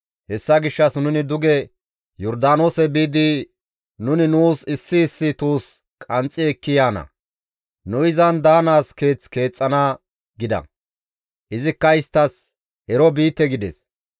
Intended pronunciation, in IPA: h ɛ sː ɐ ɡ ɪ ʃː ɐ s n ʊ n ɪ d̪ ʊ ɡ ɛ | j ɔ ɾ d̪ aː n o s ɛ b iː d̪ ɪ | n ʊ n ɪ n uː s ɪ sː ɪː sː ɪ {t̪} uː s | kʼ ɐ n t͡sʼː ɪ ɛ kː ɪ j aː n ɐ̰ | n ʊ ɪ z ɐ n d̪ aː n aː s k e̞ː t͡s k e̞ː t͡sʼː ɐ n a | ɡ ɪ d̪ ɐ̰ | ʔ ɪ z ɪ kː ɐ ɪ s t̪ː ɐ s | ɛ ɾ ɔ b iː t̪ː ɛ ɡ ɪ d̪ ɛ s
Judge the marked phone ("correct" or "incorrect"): correct